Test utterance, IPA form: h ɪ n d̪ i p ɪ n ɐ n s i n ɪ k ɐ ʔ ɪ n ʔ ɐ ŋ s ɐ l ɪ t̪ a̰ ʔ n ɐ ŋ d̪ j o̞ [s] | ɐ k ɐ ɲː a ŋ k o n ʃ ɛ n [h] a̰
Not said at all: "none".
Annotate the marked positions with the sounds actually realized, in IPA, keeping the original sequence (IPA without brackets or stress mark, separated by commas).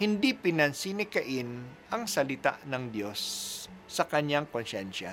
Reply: sː, ʃ